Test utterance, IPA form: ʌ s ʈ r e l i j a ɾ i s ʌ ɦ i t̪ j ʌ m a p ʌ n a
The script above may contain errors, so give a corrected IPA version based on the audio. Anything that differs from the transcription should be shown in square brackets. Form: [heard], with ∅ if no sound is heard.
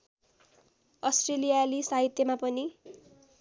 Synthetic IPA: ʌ s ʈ r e l i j a [l] i s [a] ɦ i t̪ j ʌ m a p ʌ n [i]

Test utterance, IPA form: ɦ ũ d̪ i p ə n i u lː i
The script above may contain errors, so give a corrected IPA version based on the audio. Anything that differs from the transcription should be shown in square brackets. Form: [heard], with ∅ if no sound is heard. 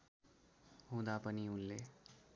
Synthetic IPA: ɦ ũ d̪ [a] p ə n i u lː [e]

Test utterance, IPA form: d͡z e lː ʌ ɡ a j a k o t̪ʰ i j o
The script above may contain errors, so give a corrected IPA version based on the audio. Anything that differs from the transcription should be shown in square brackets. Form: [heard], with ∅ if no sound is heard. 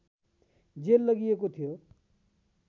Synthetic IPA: d͡z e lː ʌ ɡ [i] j [e] k o t̪ʰ i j o

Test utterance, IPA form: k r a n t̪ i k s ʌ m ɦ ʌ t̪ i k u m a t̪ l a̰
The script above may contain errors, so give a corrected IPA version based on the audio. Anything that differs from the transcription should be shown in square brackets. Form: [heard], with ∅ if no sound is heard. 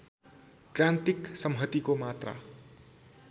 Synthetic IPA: k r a n t̪ i k s ʌ m ɦ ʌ t̪ i k [o] m a t̪ [r] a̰

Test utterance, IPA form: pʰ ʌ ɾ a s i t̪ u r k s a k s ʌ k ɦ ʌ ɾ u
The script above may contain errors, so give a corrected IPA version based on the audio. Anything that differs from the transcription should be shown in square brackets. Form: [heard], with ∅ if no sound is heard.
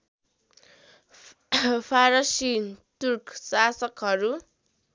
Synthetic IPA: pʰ [a] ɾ [ʌ] s i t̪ u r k s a [∅] s ʌ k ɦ ʌ ɾ u

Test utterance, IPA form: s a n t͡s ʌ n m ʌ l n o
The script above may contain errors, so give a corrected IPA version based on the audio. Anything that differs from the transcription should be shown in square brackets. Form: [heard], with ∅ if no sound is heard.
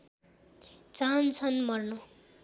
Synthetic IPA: [t͡s] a n [t͡sʰ] ʌ n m ʌ [r] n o

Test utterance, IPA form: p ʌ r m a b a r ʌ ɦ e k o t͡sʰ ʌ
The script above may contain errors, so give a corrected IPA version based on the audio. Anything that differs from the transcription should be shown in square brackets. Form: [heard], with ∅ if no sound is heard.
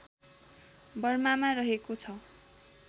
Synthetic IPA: [b] ʌ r m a [m] a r ʌ ɦ e k o t͡sʰ ʌ

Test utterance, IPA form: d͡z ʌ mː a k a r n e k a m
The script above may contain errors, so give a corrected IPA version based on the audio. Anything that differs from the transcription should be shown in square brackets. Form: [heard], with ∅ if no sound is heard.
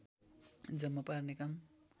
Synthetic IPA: d͡z ʌ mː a [p] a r n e k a m

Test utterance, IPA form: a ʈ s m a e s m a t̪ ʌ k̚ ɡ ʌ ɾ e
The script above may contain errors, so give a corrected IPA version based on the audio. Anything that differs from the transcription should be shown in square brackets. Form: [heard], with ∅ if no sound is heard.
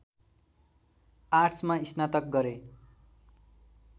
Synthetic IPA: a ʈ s m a [i] s [n] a t̪ ʌ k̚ ɡ ʌ ɾ e

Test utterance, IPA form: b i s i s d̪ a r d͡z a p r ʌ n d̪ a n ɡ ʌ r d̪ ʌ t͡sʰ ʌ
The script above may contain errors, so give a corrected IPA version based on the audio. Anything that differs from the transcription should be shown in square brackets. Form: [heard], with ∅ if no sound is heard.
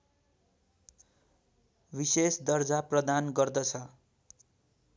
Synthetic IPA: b i s [e] s d̪ [ʌ] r d͡z a p r ʌ [∅] d̪ a n ɡ ʌ r d̪ ʌ t͡sʰ ʌ

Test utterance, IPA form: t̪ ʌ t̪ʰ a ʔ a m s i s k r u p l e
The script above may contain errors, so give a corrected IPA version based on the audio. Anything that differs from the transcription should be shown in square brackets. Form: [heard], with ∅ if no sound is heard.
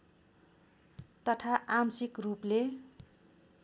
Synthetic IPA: t̪ ʌ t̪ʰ a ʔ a m s i [∅] k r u p l e

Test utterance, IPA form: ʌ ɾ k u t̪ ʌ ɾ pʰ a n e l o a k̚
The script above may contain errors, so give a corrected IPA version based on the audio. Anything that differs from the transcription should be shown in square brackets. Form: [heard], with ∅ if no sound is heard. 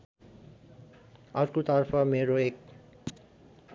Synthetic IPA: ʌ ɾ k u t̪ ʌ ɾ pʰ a [m] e [ɾ] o [e] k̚

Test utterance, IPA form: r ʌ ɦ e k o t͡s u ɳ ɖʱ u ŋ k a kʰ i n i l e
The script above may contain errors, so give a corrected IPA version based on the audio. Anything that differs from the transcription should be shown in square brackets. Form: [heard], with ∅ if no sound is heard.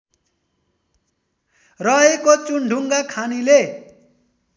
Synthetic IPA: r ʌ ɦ e k o t͡s u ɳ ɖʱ u ŋ [ɡ] a kʰ [a] n i l e

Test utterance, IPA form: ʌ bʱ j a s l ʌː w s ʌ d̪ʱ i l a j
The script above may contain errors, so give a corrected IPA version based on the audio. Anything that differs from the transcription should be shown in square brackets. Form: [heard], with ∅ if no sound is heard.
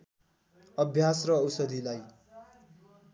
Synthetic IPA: ʌ bʱ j a s [r] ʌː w s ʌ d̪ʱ i l a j

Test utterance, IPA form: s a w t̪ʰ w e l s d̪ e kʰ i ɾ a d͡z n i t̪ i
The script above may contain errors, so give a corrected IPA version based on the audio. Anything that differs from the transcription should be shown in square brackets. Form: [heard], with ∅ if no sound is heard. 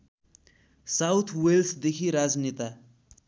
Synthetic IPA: s a w t̪ʰ w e l s d̪ e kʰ i ɾ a d͡z n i t̪ [a]

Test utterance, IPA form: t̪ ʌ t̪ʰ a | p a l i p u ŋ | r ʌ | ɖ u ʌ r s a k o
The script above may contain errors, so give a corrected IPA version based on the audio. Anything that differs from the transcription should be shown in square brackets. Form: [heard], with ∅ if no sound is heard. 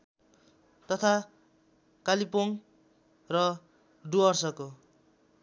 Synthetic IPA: t̪ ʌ t̪ʰ a | [k] a l i p [o] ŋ | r ʌ | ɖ u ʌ r s [ʌ] k o

